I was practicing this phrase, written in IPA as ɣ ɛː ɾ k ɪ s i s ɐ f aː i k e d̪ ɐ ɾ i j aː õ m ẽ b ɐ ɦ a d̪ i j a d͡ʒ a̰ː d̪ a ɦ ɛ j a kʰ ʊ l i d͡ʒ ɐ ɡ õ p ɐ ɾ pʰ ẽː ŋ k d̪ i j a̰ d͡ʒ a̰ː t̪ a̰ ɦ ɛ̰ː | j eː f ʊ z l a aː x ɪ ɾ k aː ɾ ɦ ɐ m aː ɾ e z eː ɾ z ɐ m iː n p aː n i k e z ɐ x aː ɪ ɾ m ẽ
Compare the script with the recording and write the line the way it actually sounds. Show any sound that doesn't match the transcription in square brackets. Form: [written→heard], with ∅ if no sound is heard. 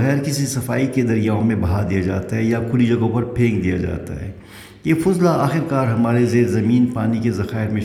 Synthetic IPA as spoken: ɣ ɛː ɾ k ɪ s i s ɐ f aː i k e d̪ ɐ ɾ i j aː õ m ẽ b ɐ ɦ a d̪ i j a d͡ʒ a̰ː [d̪→t̪] a ɦ ɛ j a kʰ ʊ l i d͡ʒ ɐ ɡ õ p ɐ ɾ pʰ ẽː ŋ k d̪ i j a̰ d͡ʒ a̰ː t̪ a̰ ɦ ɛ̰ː | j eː f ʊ z l a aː x ɪ ɾ k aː ɾ ɦ ɐ m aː ɾ e z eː ɾ z ɐ m iː n p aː n i k e z ɐ x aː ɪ ɾ m ẽ